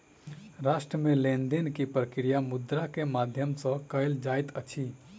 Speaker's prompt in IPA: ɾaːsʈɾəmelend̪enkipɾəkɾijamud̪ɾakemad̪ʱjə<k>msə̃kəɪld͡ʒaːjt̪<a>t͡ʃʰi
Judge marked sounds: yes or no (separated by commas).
no, no